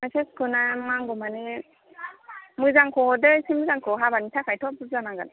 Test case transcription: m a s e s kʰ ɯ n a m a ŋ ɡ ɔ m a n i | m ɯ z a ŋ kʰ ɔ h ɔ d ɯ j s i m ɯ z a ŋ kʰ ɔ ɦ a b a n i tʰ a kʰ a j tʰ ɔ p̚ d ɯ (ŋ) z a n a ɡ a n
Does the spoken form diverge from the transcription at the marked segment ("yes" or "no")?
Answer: yes